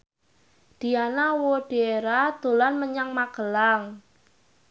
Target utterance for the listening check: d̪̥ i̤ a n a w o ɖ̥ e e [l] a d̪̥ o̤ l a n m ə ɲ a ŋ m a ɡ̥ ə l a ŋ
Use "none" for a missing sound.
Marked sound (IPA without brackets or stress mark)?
ɾ